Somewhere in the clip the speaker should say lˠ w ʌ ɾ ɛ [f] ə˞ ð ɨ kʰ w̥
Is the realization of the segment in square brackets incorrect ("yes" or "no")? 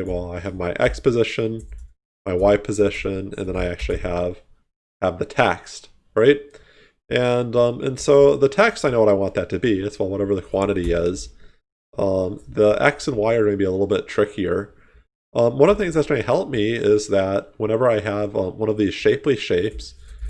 yes